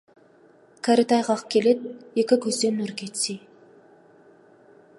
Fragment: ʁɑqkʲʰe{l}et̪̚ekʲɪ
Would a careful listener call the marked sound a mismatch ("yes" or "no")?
no